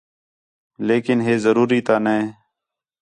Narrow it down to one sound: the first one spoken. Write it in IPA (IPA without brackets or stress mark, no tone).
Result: l